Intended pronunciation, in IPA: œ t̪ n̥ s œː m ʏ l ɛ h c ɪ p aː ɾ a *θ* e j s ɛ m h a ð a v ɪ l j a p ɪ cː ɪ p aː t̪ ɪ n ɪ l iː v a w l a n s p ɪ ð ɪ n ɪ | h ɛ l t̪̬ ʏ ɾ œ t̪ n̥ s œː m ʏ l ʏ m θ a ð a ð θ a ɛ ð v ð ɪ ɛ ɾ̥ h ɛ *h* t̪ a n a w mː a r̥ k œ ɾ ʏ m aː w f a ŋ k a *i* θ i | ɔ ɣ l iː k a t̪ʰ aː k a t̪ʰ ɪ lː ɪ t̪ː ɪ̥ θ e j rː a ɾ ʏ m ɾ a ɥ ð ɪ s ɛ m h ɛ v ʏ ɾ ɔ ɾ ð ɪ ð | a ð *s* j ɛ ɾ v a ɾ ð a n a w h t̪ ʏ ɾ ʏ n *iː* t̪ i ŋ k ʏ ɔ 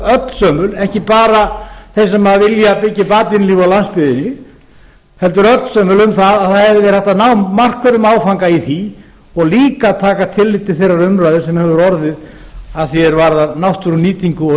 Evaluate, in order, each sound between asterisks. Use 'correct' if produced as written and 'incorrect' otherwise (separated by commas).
correct, correct, correct, incorrect, correct